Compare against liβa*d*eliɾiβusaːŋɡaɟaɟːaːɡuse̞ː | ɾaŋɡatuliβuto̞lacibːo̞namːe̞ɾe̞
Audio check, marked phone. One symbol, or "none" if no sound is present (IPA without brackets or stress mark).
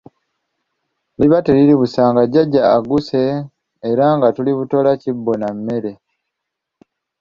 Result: t